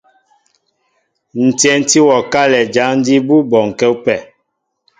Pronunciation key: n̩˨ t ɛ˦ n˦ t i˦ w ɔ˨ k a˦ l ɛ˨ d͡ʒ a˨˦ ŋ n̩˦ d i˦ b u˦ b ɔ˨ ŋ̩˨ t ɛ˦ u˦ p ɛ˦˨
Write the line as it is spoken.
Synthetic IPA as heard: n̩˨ t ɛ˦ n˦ t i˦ w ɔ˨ k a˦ l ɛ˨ d͡ʒ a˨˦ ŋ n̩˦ d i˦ b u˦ b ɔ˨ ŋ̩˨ k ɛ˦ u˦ p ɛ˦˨